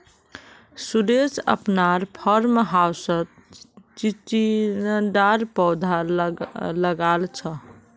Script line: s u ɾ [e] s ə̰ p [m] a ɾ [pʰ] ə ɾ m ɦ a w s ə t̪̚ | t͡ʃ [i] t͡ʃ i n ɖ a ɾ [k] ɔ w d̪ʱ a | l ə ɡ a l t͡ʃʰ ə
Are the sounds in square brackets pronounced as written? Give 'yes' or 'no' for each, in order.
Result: yes, no, yes, yes, no

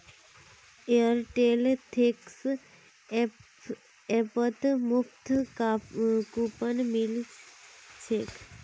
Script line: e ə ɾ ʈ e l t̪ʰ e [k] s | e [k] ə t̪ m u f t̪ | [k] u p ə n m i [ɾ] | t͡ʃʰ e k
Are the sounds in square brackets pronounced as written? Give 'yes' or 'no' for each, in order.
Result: yes, no, yes, no

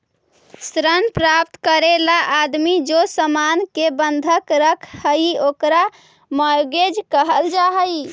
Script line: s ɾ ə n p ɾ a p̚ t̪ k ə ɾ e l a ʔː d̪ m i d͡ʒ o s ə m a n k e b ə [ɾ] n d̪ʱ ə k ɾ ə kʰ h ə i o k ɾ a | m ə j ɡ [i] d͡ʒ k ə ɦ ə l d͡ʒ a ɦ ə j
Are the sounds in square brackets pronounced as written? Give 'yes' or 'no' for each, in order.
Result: no, no

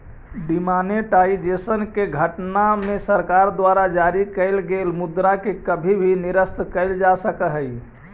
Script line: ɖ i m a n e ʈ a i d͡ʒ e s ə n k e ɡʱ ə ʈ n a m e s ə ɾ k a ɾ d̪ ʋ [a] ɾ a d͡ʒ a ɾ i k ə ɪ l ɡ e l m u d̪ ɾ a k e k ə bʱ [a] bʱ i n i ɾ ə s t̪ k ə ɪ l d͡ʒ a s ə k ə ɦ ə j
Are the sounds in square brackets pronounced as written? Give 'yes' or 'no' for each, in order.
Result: yes, no

